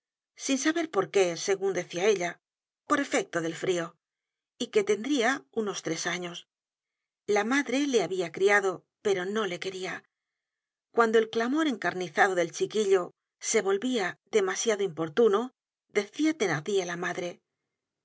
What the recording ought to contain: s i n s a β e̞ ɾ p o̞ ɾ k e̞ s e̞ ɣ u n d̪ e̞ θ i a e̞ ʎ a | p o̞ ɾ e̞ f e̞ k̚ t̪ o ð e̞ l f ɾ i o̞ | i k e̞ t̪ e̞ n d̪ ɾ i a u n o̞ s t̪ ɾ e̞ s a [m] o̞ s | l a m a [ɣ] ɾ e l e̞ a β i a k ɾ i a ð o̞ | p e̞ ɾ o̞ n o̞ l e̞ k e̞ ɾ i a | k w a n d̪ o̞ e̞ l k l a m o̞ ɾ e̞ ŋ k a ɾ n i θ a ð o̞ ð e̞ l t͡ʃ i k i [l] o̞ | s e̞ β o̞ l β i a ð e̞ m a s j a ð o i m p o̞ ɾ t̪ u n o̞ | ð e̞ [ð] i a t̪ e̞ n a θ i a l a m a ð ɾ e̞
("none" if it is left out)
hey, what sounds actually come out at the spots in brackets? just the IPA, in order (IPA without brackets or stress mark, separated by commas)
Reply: ɲ, ð, ʎ, θ